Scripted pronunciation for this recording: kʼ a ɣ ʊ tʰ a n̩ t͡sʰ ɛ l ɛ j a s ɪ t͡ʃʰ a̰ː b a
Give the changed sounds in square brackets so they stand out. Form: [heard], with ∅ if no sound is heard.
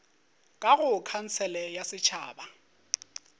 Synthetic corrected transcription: kʼ a ɣ ʊ [kʰ] a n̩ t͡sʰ ɛ l ɛ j a s ɪ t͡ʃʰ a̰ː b a